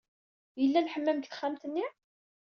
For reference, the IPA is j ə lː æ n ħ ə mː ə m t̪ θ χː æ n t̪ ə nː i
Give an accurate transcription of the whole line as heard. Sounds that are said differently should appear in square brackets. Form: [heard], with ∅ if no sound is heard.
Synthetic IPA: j ə lː æ n ħ ə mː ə m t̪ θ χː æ [m] t̪ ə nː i

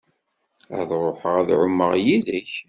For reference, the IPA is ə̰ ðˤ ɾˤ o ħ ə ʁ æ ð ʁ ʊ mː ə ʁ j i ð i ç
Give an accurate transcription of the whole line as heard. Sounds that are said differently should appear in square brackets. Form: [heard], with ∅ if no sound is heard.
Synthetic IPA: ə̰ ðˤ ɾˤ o ħ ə ʁ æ ð [ʕ] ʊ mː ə ʁ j i ð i ç

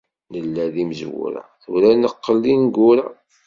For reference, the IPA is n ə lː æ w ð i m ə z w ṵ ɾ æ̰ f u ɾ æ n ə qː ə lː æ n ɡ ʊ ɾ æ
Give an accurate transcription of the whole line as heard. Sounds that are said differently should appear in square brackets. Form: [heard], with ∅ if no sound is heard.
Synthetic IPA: n ə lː æ [∅] ð i m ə z w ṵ ɾ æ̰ [θ] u ɾ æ n ə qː ə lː [i] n ɡ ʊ ɾ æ

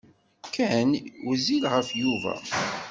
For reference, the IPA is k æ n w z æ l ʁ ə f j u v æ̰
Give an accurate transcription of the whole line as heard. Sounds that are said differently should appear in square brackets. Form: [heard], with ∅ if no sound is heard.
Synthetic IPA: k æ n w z [i] l ʁ ə f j u v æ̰

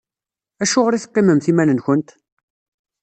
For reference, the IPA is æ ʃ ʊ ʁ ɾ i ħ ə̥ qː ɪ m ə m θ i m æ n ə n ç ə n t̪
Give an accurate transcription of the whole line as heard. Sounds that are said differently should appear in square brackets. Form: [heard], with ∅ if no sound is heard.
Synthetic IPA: æ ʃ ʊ ʁ ɾ i [θ] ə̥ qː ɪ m ə m θ i m æ n ə n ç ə n t̪

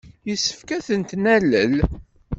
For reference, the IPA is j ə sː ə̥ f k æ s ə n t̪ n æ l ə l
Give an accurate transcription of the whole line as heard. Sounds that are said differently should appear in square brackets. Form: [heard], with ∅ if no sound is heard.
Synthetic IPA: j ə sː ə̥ f k æ [θ] ə n t̪ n æ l ə l

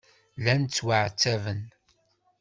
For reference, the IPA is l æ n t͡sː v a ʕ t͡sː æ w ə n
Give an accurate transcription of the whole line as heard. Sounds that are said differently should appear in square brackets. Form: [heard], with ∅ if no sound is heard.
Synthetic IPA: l æ n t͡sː [w] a ʕ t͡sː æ [v] ə n

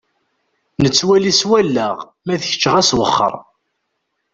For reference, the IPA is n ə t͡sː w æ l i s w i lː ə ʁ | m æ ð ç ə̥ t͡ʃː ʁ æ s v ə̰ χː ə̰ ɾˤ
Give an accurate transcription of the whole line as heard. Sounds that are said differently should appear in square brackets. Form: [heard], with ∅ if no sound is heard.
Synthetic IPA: n ə t͡sː w æ l i s w [æ] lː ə ʁ | m æ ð ç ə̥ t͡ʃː ʁ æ s [w] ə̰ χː ə̰ ɾˤ

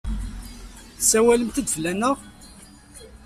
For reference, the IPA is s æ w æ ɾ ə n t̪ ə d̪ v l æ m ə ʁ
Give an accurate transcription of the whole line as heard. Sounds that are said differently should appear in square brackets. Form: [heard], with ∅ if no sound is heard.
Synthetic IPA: s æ w æ [l] ə [m] t̪ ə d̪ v l æ [n] ə ʁ

